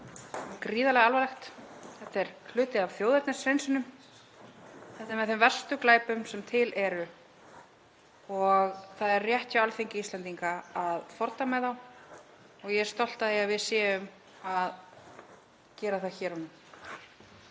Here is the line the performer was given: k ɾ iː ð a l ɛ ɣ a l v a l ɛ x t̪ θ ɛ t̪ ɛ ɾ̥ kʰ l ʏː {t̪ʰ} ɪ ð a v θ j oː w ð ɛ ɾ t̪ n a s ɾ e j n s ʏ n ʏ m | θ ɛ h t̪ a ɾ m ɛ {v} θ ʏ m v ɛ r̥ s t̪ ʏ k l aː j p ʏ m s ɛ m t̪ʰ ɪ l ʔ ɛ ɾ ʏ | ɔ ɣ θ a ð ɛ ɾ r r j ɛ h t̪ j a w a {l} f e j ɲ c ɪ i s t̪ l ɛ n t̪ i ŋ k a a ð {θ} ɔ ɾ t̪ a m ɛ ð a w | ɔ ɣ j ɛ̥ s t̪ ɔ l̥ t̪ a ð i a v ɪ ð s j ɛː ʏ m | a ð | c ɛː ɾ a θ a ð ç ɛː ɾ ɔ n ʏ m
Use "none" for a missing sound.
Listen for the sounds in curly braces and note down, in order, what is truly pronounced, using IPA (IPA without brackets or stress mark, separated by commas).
t̪, ð, l, f